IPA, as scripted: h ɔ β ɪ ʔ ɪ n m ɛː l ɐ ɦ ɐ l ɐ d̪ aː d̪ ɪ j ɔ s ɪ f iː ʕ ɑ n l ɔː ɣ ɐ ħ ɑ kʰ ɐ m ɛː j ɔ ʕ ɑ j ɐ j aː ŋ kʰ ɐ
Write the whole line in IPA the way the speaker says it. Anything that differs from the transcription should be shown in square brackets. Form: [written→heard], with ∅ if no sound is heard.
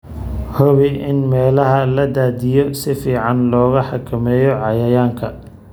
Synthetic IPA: h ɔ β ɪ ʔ ɪ n m ɛː l ɐ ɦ ɐ l ɐ d̪ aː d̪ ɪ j ɔ s ɪ f iː ʕ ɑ n l ɔː ɣ ɐ ħ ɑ kʰ ɐ m ɛː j ɔ ʕ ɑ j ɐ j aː ŋ kʰ ɐ